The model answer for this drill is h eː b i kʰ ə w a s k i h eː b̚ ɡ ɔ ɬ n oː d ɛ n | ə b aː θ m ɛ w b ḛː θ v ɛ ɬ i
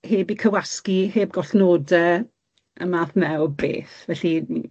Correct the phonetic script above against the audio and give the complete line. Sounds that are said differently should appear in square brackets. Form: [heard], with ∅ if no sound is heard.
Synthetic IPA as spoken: h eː b i kʰ ə w a s k i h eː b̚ ɡ ɔ ɬ n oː d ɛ [∅] | ə [m] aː θ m ɛ w b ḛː θ v ɛ ɬ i